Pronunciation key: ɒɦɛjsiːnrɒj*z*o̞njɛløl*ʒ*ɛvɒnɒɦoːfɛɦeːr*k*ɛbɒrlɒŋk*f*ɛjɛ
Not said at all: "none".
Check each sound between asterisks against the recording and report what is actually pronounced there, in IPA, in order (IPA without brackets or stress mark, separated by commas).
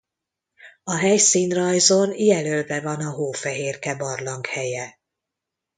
z, v, k, h